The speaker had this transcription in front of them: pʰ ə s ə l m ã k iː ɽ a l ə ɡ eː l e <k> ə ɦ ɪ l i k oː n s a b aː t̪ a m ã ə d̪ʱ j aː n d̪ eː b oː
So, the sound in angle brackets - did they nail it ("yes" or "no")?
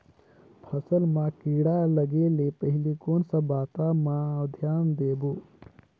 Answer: no